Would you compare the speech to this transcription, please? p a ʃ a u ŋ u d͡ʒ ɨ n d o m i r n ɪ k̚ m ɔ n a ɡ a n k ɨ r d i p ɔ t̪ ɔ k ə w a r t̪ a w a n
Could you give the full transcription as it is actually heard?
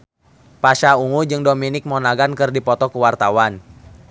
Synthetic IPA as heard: p a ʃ a u ŋ u d͡ʒ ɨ ŋ d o m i n ɪ k̚ m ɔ n a ɡ a n k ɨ r d i p ɔ t̪ ɔ k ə w a r t̪ a w a n